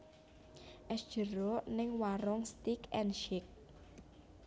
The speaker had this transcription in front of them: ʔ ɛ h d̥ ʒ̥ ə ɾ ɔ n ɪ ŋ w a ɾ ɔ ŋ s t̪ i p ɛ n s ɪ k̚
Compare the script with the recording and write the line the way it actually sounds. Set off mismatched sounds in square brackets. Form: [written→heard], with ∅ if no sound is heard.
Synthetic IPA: ʔ ɛ [h→s] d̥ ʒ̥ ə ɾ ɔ n ɪ ŋ w a ɾ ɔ ŋ s t̪ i [p→k] ɛ n [s→ʃ] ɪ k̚